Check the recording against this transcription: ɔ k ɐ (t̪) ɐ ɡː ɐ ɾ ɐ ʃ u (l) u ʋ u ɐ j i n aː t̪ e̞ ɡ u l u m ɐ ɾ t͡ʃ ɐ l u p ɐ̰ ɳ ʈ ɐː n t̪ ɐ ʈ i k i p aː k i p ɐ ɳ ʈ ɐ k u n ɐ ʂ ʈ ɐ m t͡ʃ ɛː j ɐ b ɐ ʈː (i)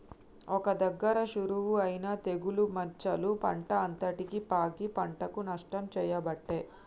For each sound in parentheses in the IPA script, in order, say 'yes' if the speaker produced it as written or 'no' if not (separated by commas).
no, no, no